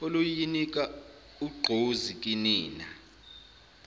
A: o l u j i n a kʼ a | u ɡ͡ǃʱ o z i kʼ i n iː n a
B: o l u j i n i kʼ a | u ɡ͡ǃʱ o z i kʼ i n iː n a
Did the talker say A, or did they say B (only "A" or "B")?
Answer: B